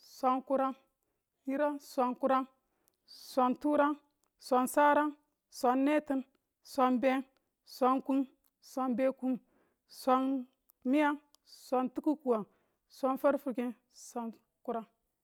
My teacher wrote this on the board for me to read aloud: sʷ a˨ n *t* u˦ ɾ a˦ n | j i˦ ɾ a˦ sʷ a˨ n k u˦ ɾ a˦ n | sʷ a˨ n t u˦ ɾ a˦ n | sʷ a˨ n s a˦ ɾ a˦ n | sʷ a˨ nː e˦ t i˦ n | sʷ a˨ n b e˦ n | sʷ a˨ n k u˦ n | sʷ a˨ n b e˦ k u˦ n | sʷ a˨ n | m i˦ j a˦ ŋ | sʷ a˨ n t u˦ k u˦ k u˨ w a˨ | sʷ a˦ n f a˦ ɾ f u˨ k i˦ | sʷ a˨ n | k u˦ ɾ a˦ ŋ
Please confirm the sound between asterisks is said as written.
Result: no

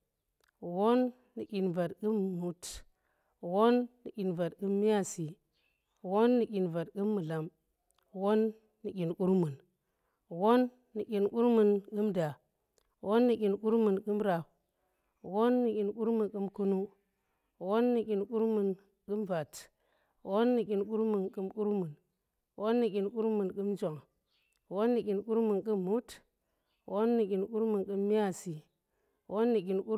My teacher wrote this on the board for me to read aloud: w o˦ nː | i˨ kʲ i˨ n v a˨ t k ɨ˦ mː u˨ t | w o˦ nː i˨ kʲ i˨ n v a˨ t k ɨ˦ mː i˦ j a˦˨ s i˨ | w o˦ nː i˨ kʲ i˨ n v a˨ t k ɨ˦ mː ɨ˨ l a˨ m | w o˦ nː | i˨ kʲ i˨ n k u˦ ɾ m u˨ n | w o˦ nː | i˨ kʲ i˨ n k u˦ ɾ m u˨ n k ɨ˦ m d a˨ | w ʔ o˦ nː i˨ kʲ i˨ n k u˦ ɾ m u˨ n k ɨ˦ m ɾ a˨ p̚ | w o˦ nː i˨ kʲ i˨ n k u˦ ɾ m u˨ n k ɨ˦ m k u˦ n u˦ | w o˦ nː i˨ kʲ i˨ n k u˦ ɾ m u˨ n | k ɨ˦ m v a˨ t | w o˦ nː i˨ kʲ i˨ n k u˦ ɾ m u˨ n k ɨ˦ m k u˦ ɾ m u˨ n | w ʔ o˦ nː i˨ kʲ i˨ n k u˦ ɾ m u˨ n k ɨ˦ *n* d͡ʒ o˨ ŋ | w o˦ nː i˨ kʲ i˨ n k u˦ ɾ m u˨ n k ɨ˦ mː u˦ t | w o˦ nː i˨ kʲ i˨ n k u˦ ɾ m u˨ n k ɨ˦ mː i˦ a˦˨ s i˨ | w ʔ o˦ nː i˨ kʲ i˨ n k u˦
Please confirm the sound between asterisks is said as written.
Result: no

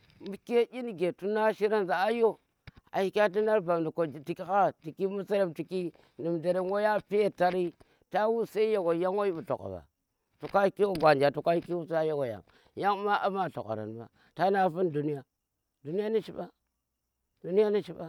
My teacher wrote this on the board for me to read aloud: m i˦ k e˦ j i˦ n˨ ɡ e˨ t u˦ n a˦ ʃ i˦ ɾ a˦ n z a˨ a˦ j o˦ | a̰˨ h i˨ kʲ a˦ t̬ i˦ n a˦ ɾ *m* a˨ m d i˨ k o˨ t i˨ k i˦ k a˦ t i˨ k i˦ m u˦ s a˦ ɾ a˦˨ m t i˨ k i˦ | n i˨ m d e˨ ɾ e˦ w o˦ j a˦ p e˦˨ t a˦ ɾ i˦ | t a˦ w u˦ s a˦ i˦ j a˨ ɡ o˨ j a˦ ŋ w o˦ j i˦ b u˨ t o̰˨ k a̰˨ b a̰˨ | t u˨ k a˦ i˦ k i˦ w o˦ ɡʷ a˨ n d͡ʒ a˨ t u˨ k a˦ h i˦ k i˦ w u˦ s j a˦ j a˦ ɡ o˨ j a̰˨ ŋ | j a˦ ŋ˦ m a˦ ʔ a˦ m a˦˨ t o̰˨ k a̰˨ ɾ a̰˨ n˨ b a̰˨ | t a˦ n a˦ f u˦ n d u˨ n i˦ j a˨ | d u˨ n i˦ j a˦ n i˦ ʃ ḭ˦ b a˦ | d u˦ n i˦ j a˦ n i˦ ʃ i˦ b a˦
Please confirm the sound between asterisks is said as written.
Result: no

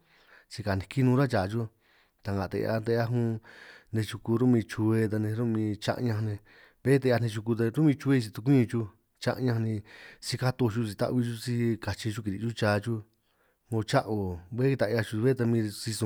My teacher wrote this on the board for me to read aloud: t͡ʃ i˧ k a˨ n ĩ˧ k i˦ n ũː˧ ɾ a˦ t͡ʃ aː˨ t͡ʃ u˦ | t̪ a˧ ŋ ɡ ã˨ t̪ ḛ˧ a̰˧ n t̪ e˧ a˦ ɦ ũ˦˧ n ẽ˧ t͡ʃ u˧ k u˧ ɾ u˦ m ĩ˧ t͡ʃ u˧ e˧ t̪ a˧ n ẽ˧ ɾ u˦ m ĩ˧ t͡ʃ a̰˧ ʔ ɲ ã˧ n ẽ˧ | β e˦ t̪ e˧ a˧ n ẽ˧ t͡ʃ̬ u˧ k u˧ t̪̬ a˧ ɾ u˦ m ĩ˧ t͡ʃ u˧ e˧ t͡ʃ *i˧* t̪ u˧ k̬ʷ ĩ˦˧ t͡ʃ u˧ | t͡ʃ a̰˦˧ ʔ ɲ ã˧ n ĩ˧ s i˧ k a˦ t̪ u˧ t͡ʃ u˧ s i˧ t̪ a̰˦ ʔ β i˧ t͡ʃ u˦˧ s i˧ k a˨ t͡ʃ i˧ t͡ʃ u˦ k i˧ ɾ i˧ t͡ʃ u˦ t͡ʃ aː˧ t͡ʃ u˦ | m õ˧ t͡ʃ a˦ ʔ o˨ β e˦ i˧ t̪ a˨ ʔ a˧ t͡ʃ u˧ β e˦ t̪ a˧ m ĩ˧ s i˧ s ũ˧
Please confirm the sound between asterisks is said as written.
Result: yes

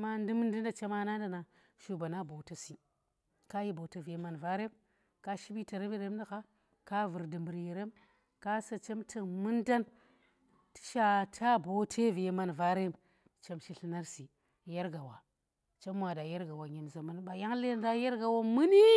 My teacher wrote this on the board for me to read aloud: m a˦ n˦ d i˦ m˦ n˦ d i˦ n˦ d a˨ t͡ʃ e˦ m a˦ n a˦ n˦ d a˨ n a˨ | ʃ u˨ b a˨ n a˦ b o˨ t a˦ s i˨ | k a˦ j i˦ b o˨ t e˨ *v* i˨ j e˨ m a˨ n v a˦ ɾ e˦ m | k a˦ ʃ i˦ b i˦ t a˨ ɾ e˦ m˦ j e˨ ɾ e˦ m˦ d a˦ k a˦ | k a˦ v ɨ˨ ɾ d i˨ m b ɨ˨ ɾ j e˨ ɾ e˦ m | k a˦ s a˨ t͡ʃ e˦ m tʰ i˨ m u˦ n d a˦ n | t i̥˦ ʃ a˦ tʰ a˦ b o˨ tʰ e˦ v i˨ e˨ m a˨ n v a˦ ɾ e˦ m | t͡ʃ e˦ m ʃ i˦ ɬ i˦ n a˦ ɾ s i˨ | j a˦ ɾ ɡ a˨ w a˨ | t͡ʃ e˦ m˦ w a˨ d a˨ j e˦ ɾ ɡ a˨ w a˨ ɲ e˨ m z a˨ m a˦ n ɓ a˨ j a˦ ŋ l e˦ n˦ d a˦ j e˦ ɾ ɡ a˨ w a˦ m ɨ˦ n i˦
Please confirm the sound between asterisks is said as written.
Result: yes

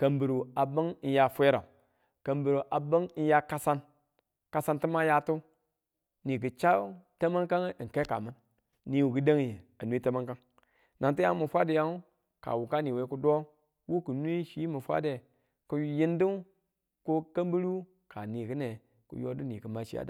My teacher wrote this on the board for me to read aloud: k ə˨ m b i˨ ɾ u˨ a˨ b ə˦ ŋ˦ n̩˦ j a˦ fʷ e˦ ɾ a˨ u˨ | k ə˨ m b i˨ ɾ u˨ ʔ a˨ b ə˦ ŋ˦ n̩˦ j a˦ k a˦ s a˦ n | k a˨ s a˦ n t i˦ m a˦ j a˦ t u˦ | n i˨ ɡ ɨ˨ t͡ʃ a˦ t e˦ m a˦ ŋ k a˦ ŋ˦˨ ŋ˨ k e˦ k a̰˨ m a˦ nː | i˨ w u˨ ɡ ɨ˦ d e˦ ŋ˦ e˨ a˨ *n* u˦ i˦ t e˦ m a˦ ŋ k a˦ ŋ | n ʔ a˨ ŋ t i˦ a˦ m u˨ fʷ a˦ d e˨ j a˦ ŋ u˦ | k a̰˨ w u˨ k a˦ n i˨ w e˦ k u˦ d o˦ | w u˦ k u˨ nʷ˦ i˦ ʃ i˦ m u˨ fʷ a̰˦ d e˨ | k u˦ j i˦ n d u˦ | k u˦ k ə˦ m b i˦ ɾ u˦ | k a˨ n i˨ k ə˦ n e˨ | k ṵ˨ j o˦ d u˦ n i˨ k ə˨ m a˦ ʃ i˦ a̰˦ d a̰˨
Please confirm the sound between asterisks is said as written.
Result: yes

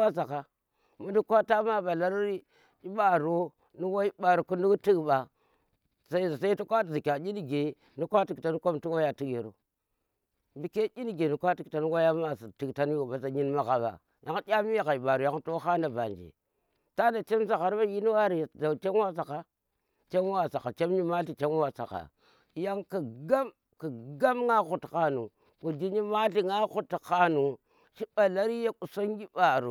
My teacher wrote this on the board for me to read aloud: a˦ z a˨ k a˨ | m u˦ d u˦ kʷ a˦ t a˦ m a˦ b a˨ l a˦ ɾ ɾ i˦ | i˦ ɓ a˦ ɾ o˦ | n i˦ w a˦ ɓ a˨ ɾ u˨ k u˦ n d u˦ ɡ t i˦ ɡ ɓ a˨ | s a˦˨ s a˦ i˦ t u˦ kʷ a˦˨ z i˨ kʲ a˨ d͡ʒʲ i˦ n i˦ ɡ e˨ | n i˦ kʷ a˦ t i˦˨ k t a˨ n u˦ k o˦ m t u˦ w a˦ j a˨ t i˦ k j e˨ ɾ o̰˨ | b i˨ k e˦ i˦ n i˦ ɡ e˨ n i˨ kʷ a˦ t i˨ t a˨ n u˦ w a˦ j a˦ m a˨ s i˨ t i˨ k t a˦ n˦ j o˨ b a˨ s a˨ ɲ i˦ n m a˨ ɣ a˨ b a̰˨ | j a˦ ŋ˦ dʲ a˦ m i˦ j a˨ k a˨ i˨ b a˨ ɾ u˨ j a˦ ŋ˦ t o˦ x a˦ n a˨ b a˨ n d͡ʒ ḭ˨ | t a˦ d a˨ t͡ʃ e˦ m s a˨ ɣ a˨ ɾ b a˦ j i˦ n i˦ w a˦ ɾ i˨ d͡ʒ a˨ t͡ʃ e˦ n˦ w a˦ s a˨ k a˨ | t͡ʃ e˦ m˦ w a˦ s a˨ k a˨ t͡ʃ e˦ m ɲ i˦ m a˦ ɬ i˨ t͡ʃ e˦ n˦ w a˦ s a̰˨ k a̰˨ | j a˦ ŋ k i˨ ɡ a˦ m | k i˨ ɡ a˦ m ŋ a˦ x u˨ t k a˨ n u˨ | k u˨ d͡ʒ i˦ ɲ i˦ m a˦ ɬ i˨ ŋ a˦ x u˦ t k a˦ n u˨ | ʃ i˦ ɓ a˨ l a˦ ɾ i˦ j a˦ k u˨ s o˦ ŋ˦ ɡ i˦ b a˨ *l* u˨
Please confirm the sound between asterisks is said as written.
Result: no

